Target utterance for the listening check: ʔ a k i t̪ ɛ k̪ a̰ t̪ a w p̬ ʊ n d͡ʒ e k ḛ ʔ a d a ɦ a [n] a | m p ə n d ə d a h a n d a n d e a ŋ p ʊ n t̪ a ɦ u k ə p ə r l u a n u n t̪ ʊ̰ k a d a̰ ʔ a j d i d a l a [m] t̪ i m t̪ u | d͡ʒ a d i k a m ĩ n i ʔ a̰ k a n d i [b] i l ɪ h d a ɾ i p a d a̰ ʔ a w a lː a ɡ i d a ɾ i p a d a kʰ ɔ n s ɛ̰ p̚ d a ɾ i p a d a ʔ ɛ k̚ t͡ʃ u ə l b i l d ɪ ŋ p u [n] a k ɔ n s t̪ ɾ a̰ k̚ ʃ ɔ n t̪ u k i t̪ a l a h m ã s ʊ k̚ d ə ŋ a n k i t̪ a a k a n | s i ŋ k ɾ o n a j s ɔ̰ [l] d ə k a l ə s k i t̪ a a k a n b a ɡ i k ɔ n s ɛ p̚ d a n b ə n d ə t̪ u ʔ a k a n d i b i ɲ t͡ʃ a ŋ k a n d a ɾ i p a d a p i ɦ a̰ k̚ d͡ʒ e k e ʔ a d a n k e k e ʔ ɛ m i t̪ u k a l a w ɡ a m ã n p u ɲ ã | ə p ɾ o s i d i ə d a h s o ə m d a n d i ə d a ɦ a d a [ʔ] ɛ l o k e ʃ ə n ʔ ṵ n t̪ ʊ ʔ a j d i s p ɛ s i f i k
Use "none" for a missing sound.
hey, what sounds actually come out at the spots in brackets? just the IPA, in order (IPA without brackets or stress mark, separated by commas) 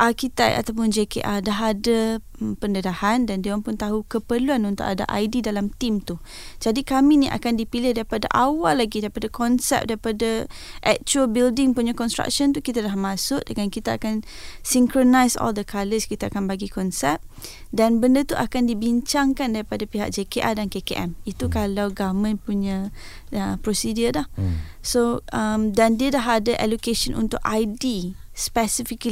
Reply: d, m, p, ɲ, l, ʔ